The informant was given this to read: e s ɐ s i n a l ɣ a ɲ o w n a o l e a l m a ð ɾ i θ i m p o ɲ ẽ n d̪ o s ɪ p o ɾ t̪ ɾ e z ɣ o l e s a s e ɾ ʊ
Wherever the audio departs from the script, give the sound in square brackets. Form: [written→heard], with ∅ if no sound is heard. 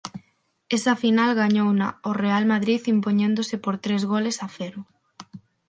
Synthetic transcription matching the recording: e s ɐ [s→f] i n a l ɣ a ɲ o w n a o [l→r] e a l m a ð ɾ i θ i m p o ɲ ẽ n d̪ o s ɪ p o ɾ t̪ ɾ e z ɣ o l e s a [s→f] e ɾ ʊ